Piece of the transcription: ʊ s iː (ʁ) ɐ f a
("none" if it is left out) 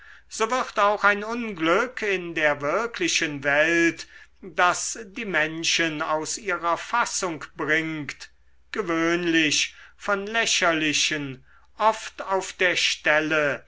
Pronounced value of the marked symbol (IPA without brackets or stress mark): ʁ